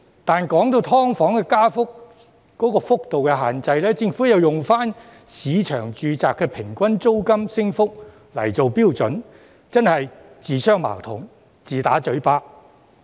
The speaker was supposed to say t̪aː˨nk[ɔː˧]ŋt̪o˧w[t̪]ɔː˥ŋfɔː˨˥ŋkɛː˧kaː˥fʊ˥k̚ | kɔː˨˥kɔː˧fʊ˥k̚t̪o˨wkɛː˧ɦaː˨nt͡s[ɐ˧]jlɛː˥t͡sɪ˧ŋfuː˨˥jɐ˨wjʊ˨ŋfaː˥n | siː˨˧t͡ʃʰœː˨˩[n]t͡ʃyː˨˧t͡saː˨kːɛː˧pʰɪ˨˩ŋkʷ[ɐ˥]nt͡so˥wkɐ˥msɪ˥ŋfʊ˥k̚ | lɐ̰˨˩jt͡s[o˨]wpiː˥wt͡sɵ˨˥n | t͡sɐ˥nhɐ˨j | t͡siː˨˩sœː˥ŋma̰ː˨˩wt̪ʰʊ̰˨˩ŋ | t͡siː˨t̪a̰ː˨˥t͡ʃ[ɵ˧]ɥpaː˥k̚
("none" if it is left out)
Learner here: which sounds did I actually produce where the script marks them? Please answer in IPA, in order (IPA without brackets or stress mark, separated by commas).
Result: ɔː˨˥, t̪ʰ, ɐ˧, ŋ, ɐ˥, o˨, ɵ˨˥